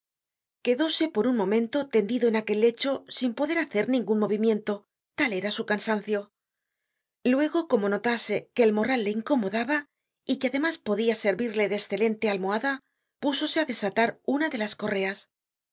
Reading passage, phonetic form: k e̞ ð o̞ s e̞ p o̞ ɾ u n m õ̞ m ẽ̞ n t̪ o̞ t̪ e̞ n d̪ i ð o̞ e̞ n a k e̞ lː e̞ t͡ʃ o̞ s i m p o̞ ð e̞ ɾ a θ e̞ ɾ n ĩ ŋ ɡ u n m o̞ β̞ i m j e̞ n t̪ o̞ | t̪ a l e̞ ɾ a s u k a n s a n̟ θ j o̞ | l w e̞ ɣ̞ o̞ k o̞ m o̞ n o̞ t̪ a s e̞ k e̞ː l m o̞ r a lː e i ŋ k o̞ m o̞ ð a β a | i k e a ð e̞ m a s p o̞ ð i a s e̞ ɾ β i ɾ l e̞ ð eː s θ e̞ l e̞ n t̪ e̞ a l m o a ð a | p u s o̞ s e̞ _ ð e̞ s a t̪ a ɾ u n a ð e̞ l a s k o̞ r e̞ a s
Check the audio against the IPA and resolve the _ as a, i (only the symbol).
a